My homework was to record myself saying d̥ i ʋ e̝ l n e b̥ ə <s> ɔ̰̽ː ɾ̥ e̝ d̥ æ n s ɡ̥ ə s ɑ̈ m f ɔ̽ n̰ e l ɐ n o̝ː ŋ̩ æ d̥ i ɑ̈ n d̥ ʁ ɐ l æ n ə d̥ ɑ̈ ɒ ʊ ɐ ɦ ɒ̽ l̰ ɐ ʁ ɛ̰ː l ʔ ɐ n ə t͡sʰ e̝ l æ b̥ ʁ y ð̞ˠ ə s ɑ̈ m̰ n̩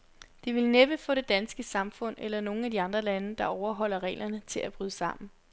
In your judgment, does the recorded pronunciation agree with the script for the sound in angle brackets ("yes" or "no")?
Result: no